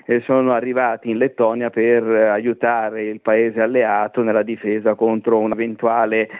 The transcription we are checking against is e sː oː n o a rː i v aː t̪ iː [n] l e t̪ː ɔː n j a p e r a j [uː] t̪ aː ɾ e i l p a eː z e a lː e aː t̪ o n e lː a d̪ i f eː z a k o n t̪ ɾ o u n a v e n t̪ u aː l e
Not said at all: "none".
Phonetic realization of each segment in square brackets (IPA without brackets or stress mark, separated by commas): n, u